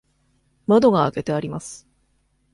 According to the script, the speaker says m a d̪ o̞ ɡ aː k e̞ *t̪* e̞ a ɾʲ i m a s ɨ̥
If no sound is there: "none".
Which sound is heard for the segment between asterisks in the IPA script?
t̪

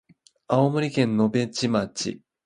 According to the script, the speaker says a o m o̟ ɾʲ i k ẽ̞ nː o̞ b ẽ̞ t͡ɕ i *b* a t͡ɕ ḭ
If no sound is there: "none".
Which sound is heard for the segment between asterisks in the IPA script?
m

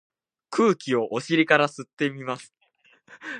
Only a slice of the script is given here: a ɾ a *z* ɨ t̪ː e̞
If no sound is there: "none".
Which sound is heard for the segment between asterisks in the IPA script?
s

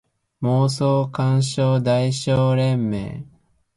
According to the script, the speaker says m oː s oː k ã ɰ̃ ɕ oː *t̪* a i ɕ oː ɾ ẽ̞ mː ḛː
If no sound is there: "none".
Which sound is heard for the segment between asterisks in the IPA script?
d̪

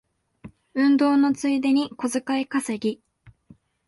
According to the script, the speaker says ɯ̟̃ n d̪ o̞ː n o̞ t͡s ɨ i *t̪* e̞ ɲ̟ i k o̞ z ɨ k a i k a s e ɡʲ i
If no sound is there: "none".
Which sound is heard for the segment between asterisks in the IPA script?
d̪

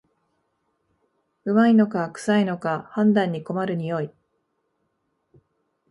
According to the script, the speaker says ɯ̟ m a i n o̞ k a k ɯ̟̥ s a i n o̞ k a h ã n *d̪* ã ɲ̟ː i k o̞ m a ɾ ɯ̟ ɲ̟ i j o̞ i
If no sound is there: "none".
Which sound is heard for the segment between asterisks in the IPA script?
d̪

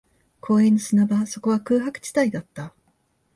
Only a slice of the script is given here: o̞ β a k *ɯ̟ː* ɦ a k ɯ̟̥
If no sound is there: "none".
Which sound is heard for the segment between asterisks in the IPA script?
ɯ̟ː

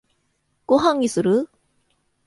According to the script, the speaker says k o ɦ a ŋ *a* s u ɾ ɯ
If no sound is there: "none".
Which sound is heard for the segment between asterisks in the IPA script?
i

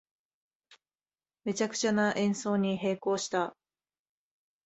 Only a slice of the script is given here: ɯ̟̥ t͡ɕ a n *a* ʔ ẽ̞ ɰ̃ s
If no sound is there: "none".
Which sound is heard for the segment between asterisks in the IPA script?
a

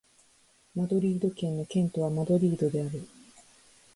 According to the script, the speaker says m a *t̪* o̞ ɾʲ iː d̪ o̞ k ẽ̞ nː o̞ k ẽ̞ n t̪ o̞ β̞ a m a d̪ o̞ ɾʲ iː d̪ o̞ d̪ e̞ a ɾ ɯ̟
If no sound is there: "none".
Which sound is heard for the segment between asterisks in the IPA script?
d̪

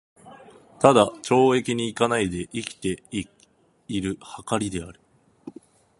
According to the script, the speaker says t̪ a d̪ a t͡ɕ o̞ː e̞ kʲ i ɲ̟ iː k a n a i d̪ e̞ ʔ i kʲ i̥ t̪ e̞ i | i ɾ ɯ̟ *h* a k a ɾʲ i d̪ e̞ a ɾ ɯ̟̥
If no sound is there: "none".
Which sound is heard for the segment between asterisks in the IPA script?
h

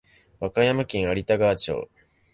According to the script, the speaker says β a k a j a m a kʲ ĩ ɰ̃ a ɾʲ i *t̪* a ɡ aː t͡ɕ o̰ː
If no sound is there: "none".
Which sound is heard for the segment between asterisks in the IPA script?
t̪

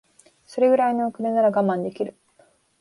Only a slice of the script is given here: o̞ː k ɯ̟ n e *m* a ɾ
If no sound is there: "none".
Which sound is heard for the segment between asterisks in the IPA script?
n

